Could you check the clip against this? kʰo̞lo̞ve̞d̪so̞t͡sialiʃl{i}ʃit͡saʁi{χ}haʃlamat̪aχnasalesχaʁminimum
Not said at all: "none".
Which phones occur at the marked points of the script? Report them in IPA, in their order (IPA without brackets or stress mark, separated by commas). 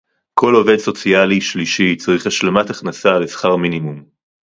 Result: i, χ